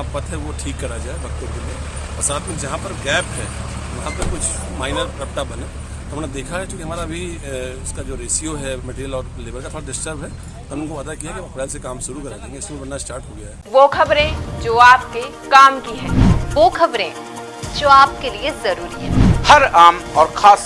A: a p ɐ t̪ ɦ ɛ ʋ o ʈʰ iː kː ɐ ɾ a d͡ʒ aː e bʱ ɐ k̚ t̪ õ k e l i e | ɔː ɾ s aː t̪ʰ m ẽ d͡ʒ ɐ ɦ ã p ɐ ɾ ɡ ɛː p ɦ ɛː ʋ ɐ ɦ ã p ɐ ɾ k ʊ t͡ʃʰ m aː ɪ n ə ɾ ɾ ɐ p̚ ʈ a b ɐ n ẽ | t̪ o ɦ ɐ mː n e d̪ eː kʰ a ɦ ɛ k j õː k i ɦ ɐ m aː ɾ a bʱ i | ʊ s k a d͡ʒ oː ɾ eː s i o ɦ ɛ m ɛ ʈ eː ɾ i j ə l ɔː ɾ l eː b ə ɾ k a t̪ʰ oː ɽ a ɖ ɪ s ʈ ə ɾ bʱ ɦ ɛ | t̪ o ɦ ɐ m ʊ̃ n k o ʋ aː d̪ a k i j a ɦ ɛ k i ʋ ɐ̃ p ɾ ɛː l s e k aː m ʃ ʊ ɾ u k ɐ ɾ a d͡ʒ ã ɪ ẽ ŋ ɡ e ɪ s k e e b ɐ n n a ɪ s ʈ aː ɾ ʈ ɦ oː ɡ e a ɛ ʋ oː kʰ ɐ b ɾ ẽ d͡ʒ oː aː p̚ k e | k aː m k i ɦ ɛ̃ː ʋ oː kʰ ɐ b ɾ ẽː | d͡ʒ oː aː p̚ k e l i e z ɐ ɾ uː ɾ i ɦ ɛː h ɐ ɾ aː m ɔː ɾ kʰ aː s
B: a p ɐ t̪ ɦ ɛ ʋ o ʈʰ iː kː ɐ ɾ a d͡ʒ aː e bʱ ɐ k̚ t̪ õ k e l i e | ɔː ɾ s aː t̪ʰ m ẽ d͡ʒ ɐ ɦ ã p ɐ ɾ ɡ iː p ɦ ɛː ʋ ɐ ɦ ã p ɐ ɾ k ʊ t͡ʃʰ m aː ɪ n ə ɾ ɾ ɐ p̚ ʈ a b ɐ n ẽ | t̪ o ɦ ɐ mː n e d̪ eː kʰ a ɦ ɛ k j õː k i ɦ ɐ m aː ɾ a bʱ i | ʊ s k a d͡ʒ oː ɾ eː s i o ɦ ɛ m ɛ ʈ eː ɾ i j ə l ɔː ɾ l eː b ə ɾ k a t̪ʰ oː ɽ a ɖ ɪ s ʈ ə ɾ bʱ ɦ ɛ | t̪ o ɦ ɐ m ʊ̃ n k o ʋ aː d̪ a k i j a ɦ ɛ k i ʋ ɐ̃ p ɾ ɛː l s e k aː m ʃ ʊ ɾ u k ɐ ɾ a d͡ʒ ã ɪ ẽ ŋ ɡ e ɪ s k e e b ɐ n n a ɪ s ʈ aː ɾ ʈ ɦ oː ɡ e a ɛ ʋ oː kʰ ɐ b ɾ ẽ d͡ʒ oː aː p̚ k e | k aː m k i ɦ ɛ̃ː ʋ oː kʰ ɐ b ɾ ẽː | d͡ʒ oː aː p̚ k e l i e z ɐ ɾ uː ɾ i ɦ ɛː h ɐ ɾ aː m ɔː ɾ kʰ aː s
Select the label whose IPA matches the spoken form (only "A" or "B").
A